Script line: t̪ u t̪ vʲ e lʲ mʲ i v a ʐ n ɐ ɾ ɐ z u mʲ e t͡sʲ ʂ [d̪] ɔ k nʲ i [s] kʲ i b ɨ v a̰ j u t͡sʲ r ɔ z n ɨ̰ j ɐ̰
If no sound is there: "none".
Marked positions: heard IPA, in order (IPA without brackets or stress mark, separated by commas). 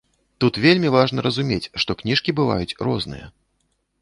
t̪, ʂ